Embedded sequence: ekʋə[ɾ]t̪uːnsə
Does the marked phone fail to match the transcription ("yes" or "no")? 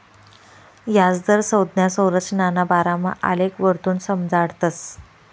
no